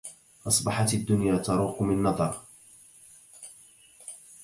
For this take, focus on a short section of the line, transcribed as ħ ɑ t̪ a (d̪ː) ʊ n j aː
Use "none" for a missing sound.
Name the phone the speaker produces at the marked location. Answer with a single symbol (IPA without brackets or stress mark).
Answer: d̪ː